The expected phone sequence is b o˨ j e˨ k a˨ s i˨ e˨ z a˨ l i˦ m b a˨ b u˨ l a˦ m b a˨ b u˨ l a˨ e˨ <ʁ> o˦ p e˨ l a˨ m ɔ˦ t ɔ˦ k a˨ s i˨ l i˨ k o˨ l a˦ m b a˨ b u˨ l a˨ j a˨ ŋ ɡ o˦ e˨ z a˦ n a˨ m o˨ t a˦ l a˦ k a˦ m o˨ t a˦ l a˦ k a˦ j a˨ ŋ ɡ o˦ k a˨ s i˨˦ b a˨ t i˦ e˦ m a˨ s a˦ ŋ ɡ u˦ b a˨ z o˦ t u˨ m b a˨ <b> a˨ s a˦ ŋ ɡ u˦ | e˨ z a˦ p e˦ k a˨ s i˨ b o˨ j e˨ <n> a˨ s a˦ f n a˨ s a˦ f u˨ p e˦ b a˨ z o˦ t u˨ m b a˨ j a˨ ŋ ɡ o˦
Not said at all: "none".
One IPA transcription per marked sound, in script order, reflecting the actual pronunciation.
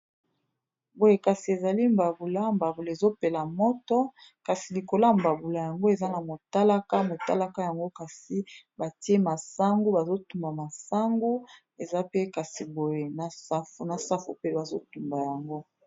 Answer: z, m, n

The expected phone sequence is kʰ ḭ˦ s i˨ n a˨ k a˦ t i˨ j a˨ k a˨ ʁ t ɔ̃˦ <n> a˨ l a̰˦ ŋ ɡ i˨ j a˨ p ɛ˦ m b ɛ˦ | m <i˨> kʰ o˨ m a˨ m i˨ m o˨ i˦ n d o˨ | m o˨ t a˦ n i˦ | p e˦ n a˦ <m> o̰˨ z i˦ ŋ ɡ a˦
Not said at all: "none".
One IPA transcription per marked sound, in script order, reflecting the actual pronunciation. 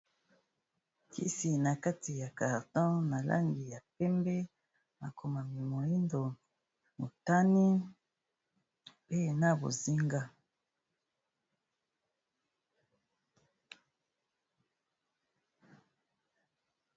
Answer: n, a˨, b

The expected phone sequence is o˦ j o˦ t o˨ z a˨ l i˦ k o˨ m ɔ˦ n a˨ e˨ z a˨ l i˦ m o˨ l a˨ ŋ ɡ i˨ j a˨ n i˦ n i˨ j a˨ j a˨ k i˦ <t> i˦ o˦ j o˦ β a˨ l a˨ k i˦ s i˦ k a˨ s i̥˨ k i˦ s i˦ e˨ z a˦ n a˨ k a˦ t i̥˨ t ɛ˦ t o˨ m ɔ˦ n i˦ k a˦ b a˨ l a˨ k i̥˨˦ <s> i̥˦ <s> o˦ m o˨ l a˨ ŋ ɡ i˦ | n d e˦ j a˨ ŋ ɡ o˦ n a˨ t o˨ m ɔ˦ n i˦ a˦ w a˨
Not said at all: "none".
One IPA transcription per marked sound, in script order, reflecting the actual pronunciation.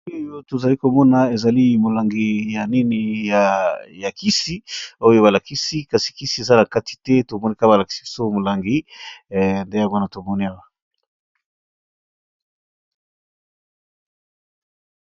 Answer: s, s, s

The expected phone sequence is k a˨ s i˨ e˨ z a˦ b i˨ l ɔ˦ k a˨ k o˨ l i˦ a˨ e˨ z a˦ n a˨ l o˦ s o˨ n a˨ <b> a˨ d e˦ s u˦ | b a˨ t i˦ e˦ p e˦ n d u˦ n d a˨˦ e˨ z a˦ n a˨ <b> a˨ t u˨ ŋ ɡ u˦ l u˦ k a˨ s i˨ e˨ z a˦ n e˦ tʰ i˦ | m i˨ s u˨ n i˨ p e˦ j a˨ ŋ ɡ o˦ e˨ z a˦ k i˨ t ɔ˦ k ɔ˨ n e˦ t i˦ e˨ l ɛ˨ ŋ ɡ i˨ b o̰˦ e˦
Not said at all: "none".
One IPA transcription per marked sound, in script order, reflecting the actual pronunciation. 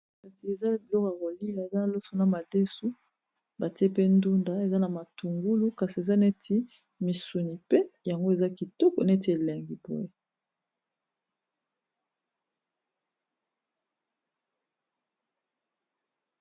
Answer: m, m

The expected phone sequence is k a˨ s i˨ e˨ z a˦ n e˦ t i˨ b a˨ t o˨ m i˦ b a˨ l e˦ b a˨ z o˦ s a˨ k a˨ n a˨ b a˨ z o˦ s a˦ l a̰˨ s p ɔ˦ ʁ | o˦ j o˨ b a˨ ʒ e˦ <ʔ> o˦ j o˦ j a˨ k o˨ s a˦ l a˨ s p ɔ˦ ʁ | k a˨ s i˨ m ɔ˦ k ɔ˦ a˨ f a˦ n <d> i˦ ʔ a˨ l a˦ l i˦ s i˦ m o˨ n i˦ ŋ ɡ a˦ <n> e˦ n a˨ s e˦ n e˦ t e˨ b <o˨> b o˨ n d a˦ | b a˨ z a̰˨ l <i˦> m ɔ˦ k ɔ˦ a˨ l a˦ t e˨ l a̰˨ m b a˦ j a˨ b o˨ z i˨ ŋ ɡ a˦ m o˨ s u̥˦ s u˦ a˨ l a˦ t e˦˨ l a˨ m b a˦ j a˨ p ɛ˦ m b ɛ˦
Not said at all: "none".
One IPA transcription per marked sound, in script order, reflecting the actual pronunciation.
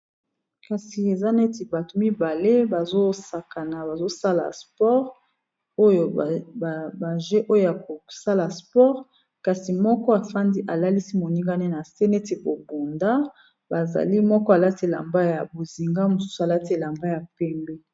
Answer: ʔ, d, n, o˨, i˦

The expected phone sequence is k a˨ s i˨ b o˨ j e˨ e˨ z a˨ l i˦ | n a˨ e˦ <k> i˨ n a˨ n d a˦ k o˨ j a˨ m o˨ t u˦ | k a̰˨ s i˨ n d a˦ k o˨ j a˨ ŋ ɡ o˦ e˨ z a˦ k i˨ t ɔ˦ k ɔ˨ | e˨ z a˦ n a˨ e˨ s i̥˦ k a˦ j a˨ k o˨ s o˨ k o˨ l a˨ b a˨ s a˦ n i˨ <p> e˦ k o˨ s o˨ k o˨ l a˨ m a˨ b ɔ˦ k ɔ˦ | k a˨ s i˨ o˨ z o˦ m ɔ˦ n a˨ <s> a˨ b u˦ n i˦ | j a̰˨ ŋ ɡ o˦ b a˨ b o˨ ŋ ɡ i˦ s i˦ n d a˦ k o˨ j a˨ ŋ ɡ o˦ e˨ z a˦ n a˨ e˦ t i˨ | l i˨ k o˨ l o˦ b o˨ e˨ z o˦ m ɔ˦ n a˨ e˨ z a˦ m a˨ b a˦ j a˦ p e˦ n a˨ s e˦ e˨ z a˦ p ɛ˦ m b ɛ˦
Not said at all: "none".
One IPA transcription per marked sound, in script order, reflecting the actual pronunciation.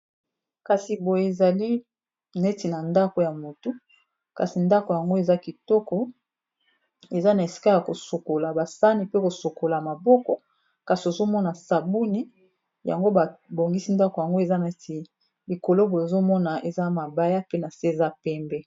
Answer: t, p, s

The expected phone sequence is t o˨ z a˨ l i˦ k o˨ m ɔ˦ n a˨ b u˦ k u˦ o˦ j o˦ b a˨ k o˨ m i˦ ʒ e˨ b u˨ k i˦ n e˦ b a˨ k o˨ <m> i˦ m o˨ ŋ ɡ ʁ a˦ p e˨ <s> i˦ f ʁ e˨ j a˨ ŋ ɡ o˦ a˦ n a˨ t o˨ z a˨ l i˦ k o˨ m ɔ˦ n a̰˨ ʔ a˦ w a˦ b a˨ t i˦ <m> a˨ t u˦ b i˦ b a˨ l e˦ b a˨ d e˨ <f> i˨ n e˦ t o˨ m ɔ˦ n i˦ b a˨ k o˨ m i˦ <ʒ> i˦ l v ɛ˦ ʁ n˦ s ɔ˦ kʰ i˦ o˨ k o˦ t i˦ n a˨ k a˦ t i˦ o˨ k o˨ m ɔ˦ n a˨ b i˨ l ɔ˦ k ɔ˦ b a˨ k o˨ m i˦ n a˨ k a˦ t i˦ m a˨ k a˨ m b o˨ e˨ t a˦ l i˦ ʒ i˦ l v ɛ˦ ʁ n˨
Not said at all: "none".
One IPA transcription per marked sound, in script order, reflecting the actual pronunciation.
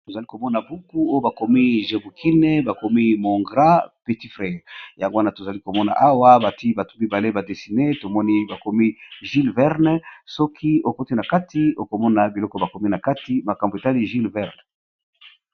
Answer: m, t, b, s, ʒ

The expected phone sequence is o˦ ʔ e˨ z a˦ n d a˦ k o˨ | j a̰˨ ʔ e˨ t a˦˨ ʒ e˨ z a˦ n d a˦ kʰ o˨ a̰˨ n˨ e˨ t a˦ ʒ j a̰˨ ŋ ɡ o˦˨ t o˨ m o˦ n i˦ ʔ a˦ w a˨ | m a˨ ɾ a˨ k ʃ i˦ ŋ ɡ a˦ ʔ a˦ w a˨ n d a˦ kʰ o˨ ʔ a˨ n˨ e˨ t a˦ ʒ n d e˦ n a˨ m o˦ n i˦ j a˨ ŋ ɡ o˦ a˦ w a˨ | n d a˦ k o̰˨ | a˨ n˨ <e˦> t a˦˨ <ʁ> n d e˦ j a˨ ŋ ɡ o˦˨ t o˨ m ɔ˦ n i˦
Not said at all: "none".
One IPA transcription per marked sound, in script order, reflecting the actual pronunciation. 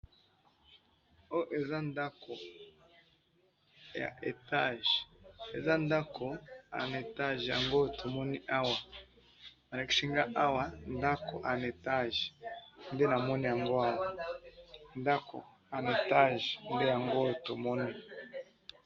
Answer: e˨, ʒ

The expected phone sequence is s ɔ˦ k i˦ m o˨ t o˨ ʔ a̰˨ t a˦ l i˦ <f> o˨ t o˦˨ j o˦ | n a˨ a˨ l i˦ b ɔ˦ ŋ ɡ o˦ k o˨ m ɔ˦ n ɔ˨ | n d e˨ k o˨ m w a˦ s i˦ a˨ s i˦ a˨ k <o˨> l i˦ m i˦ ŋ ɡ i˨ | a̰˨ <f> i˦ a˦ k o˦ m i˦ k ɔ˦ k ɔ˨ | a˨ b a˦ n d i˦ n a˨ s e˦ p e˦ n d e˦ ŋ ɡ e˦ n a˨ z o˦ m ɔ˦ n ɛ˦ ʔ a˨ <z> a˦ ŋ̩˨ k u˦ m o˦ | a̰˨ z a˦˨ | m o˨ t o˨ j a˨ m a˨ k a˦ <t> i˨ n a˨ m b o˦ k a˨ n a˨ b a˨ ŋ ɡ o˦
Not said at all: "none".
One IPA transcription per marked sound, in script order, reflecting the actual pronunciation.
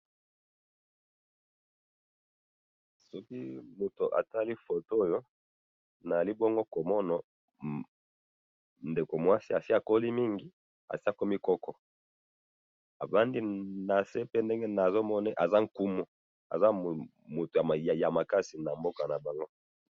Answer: f, o˦, s, z, s

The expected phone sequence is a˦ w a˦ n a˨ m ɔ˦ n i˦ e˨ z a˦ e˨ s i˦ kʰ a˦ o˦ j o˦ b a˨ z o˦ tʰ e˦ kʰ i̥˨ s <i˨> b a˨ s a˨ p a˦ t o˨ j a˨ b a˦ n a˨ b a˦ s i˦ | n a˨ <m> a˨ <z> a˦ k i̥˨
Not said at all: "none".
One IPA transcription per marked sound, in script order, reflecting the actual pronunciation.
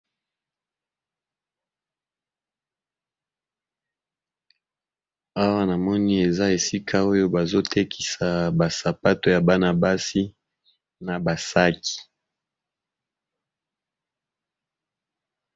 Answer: a˨, b, s

